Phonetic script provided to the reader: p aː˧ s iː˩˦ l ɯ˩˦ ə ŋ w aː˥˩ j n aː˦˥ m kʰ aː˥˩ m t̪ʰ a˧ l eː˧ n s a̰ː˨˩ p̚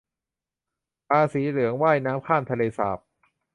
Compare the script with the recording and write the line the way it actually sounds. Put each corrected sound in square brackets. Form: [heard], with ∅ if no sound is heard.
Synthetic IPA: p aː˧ s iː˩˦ l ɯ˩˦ ə ŋ w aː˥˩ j n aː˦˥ m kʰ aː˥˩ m t̪ʰ a˧ l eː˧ [∅] s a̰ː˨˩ p̚

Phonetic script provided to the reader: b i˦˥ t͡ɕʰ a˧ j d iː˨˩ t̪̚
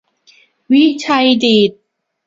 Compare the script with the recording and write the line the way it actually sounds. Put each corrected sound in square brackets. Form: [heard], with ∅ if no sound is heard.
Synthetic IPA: [w] i˦˥ t͡ɕʰ a˧ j d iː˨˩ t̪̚

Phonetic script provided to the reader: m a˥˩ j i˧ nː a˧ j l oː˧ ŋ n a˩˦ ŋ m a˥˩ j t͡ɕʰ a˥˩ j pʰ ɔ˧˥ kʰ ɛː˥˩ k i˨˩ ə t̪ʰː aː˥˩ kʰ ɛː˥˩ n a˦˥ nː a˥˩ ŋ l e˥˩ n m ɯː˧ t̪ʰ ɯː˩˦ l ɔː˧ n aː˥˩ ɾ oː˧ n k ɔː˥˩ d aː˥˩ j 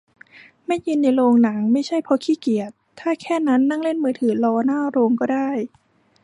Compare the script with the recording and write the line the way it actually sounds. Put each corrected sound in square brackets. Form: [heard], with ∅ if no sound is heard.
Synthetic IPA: m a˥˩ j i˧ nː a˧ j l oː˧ ŋ n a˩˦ ŋ m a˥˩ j t͡ɕʰ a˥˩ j pʰ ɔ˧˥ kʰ [iː˥˩] k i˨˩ ə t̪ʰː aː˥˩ kʰ ɛː˥˩ n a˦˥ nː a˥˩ ŋ l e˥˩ n m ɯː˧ t̪ʰ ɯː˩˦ l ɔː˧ n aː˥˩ ɾ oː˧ [ŋ] k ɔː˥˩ d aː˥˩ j

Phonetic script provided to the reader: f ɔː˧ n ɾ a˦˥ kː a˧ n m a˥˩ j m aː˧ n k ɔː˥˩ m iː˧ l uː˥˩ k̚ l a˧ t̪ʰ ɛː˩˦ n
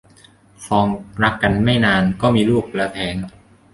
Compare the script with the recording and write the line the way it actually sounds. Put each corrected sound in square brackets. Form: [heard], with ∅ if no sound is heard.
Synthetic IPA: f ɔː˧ [ŋ] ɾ a˦˥ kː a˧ n m a˥˩ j [n] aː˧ n k ɔː˥˩ m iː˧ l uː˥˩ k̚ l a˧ t̪ʰ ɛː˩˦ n

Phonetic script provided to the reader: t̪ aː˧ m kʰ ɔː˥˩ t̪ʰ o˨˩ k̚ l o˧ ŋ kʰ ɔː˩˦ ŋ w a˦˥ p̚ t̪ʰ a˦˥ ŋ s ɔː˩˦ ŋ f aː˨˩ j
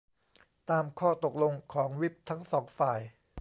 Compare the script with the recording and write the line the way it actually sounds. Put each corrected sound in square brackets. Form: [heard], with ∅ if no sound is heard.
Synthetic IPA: t̪ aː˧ m kʰ ɔː˥˩ [t̪] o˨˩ k̚ l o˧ ŋ kʰ ɔː˩˦ ŋ w [i˦˥] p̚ t̪ʰ a˦˥ ŋ s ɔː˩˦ ŋ f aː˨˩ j

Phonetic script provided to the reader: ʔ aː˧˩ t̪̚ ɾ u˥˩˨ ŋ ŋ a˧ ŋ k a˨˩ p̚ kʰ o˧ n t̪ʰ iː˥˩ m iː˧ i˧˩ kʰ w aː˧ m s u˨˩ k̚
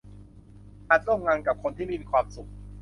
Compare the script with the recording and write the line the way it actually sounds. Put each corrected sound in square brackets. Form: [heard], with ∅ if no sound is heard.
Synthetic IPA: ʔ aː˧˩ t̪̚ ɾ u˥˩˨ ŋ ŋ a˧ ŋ k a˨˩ p̚ kʰ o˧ n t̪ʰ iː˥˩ m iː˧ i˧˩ kʰ w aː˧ m s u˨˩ k̚

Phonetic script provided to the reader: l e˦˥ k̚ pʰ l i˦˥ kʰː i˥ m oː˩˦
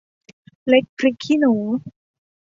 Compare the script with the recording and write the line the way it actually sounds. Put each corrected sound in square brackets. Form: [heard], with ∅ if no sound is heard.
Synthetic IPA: l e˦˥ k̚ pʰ [ɾ] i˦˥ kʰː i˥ [n] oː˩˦

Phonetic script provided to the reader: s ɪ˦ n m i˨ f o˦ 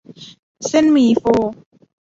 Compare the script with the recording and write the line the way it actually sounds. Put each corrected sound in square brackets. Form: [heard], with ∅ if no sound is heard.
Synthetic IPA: s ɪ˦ n m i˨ f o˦

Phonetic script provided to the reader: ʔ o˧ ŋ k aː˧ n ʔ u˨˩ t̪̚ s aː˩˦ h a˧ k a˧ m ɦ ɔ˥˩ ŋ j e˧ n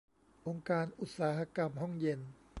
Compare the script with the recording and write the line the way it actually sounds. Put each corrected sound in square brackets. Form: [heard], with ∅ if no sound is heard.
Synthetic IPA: ʔ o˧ ŋ k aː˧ n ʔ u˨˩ t̪̚ s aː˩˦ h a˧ k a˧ m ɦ ɔ˥˩ ŋ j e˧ n

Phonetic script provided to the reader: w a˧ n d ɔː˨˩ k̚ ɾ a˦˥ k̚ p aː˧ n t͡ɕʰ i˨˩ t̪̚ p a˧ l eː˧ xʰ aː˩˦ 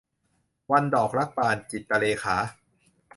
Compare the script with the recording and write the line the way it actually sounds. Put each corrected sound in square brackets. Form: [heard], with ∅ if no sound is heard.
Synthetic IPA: w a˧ n d ɔː˨˩ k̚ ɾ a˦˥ k̚ p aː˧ n [t͡ɕ] i˨˩ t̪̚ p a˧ l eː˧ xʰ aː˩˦

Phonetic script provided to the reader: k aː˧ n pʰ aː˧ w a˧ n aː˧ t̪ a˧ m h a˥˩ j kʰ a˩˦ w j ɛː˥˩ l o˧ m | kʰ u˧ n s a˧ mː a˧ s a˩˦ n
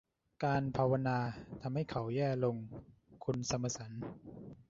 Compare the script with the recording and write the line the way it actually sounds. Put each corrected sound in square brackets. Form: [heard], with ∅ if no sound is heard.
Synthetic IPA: k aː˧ n pʰ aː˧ w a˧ n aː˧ [t̪ʰ] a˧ m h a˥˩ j kʰ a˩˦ w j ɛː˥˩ l o˧ [ŋ] | kʰ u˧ n s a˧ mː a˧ s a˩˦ n

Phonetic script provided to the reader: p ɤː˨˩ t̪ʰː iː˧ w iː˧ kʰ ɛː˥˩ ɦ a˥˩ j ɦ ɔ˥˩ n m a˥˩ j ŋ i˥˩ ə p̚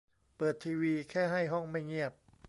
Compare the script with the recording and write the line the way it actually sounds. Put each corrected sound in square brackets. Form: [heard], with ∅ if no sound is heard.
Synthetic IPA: p ɤː˨˩ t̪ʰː iː˧ w iː˧ kʰ ɛː˥˩ ɦ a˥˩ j ɦ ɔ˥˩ [ŋ] m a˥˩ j ŋ i˥˩ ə p̚

